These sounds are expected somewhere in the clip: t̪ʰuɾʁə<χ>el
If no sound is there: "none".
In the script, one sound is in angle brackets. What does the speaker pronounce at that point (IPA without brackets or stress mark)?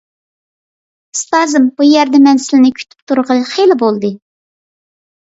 χ